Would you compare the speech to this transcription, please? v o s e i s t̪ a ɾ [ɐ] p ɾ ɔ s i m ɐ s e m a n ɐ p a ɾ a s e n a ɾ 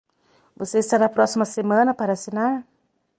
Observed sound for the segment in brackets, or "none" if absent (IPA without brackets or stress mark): a